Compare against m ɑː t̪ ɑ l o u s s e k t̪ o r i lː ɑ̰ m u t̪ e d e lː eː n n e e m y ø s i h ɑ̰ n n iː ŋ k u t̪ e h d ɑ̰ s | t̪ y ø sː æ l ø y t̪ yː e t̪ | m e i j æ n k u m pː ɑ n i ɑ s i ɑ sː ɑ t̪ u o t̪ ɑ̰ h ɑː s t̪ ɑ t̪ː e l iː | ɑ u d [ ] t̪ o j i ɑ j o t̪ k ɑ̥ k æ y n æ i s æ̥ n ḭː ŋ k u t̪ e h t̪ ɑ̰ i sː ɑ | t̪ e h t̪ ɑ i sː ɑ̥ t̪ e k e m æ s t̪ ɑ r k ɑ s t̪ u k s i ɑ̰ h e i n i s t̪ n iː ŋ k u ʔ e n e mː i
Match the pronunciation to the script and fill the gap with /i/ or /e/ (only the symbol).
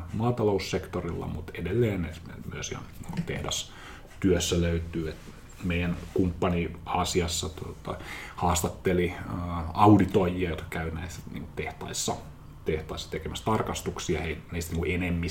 i